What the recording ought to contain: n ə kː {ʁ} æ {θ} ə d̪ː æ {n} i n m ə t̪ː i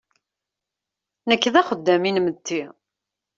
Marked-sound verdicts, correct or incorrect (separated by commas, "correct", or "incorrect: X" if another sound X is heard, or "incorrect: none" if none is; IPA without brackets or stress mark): incorrect: ð, incorrect: χ, incorrect: m